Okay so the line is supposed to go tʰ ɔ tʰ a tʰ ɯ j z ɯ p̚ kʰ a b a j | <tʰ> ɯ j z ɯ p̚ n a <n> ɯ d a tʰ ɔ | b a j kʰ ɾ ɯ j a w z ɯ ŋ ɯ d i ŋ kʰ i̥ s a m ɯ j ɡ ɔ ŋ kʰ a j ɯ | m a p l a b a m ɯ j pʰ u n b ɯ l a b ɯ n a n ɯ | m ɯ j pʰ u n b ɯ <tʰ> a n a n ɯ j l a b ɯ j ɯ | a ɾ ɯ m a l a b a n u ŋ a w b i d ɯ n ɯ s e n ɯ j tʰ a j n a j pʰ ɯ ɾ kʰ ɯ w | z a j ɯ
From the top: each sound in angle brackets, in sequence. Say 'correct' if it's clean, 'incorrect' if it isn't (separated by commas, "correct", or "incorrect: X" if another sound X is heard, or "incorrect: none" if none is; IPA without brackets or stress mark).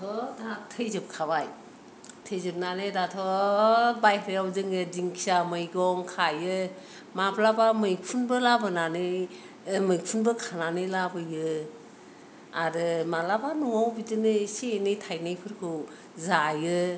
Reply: correct, correct, incorrect: kʰ